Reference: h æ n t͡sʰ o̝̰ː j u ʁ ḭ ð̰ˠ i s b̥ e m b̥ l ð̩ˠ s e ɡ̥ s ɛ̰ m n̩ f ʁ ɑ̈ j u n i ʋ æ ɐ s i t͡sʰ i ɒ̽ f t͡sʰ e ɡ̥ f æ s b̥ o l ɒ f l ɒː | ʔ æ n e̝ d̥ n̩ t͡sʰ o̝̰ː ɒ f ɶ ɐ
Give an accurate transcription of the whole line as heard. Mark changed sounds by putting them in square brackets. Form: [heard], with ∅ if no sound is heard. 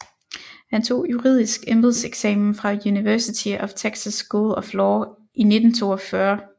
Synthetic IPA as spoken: h æ n t͡sʰ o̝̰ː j u ʁ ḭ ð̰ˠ i s [ɡ̥] e m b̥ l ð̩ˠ s e ɡ̥ s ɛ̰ m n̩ f ʁ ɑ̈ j u n i ʋ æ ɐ s i t͡sʰ i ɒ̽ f t͡sʰ e ɡ̥ [s] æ s [ɡ̥] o l ɒ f l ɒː | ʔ [i] n e̝ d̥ n̩ t͡sʰ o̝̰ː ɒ f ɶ ɐ

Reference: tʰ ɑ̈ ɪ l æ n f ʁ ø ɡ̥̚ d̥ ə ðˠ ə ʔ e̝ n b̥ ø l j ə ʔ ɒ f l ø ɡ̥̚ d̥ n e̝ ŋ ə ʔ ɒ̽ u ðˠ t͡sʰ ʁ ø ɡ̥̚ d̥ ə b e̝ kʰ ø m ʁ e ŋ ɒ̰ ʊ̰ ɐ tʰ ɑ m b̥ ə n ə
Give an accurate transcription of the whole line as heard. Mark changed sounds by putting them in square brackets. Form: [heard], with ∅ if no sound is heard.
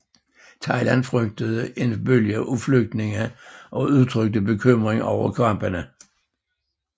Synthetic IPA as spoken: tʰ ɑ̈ ɪ l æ n f ʁ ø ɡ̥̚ d̥ ə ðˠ ə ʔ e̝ n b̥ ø l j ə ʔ [u] f l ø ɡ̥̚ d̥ n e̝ ŋ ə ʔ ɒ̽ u ðˠ t͡sʰ ʁ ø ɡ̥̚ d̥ ə b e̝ kʰ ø m ʁ e ŋ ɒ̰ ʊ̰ ɐ [kʰ] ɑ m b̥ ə n ə

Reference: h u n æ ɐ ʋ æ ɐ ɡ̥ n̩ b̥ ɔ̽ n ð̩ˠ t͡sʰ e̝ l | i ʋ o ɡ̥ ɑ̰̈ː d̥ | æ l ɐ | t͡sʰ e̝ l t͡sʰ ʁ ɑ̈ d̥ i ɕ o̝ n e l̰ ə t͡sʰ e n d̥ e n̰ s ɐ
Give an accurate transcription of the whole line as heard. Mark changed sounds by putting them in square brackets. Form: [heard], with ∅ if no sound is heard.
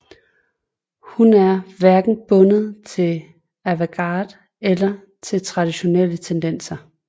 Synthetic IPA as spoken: h u n æ ɐ ʋ æ ɐ ɡ̥ n̩ b̥ ɔ̽ n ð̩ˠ t͡sʰ e̝ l | [æ] ʋ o ɡ̥ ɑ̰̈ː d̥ | [e] l ɐ | t͡sʰ e̝ l t͡sʰ ʁ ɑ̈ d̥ i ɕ o̝ n e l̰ ə t͡sʰ e n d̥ e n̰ s ɐ

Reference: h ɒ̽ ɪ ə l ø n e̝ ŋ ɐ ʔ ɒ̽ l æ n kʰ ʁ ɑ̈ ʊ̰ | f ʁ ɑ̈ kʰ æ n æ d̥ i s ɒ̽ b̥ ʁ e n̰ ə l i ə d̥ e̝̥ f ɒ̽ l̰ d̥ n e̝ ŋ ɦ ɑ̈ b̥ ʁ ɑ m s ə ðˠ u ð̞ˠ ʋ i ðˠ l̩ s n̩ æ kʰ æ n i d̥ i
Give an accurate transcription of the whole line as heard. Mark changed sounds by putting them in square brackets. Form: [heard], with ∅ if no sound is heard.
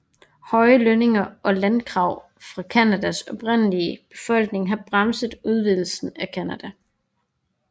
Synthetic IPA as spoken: h ɒ̽ ɪ ə l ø n e̝ ŋ ɐ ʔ ɒ̽ l æ n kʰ ʁ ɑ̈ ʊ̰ | f ʁ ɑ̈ kʰ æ n æ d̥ [æ] s ɒ̽ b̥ ʁ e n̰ ə l i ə [b̥] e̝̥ f ɒ̽ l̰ [ɡ̥] n e̝ ŋ ɦ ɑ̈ b̥ ʁ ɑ m s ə ðˠ u ð̞ˠ ʋ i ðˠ l̩ s n̩ æ kʰ æ n [æ] d̥ [æ]

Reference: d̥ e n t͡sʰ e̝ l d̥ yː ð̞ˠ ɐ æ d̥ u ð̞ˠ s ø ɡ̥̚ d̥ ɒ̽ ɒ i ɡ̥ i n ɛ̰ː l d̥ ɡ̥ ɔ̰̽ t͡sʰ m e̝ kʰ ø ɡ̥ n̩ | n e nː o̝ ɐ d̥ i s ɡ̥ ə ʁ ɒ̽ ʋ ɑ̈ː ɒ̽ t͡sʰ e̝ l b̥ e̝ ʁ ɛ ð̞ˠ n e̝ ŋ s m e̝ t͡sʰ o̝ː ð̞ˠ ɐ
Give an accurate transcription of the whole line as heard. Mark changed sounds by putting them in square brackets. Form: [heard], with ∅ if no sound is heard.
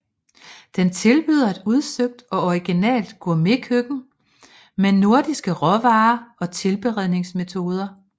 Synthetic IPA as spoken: d̥ e n t͡sʰ e̝ l [b̥] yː ð̞ˠ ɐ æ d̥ u ð̞ˠ s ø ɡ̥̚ d̥ ɒ̽ ɒ i ɡ̥ i n ɛ̰ː l d̥ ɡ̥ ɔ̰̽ [∅] m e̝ kʰ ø ɡ̥ n̩ | [m] e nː o̝ ɐ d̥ i s ɡ̥ ə ʁ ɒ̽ ʋ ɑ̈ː ɒ̽ t͡sʰ e̝ l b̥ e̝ ʁ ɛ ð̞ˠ n e̝ ŋ s m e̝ t͡sʰ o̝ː ð̞ˠ ɐ

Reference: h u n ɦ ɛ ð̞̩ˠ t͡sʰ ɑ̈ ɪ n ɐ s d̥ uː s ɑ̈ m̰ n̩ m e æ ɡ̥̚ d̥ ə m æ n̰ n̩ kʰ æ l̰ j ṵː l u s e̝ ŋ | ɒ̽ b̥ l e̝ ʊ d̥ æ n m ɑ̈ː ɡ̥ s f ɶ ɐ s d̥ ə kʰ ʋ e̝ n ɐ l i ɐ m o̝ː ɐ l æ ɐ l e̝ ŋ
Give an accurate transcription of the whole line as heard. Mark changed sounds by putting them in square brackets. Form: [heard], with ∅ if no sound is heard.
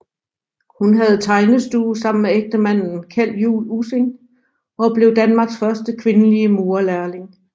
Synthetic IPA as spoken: h u n ɦ [æ] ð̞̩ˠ t͡sʰ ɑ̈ ɪ n [ə] s d̥ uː s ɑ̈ m̰ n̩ m e [e] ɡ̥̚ d̥ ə m æ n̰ n̩ kʰ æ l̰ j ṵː l u s e̝ ŋ | ɒ̽ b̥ l e̝ ʊ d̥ æ n m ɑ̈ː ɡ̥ s f ɶ ɐ s d̥ ə kʰ ʋ e̝ n [ə] l i [ə] m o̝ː ɐ l æ ɐ l e̝ ŋ

